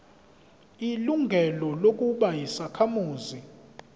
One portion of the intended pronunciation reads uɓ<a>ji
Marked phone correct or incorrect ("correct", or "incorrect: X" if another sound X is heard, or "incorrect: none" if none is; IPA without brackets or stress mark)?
correct